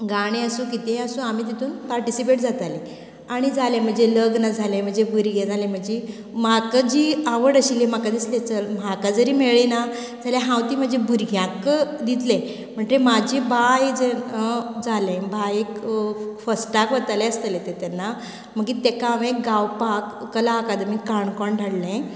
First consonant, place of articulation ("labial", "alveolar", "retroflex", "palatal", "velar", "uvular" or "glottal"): velar